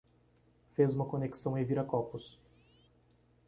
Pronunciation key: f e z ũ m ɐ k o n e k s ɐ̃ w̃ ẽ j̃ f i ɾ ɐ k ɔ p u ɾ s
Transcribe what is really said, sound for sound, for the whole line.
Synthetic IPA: f e z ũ m ɐ k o n e k s ɐ̃ w̃ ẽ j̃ v i ɾ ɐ k ɔ p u s